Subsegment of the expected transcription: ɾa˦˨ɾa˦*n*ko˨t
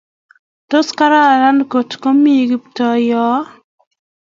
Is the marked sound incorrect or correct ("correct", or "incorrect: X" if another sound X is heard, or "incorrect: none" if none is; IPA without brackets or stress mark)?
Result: correct